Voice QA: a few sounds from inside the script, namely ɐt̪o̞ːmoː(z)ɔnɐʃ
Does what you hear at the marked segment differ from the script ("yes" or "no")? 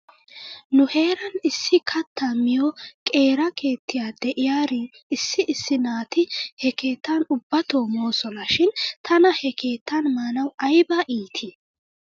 yes